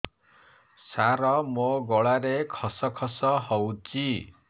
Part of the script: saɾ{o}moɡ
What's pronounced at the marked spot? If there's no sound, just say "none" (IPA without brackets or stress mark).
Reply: ɔ